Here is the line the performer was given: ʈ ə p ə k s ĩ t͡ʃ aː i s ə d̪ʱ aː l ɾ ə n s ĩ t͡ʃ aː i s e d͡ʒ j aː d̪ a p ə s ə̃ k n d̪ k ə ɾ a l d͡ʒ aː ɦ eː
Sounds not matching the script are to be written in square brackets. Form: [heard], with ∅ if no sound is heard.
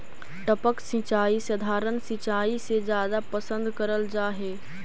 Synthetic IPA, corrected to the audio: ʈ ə p ə k s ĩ t͡ʃ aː i s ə d̪ʱ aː [∅] ɾ ə n s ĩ t͡ʃ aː i s e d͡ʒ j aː d̪ a p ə s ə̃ [∅] n d̪ k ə ɾ [ə] l d͡ʒ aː ɦ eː